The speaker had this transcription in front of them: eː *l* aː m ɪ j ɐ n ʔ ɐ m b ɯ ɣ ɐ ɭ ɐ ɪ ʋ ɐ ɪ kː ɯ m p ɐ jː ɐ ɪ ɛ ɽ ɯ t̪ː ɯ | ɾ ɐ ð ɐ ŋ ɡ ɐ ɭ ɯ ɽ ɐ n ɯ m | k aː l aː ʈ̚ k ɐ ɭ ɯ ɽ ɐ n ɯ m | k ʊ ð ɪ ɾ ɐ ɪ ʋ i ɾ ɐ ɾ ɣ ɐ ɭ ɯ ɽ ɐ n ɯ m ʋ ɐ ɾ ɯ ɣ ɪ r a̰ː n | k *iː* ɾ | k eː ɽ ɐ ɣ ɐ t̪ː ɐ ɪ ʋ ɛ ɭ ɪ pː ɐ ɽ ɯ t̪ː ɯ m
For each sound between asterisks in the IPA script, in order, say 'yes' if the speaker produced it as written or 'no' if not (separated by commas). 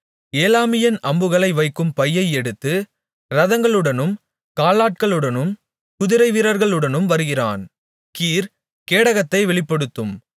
yes, yes